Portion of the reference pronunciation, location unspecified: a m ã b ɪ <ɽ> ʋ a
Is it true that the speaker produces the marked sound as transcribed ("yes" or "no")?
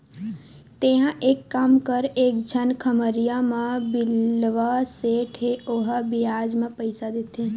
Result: no